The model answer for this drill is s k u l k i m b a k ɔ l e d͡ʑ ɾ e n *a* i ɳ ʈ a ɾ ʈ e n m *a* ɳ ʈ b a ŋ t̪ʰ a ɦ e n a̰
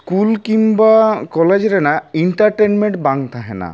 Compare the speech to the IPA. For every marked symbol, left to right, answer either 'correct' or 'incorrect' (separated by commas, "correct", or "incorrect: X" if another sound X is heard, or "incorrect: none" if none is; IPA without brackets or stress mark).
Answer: correct, incorrect: e